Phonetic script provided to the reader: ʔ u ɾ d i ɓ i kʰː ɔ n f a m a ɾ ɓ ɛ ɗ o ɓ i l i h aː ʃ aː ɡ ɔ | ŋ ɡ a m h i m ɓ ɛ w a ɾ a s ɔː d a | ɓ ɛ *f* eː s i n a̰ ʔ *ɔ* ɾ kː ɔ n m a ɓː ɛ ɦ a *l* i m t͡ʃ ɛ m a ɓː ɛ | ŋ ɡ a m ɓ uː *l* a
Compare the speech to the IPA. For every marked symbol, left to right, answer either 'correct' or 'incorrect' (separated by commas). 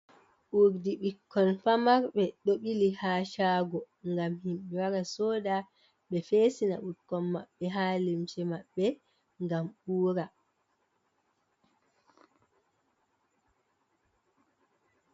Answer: correct, incorrect, correct, incorrect